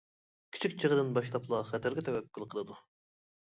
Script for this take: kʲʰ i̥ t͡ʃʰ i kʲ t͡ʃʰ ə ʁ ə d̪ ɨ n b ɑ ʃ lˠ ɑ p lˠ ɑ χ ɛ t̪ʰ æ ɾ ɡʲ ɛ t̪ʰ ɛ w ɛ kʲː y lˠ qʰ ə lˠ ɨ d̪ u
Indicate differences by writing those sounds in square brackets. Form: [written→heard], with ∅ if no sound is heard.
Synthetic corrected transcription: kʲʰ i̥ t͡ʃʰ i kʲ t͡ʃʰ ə ʁ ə d̪ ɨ n b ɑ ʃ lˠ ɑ p lˠ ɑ χ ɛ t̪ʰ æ ɾ ɡʲ ɛ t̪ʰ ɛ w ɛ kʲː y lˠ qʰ ə lˠ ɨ d̪ u